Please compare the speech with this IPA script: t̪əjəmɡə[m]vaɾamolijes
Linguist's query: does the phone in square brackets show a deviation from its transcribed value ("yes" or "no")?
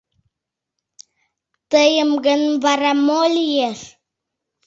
yes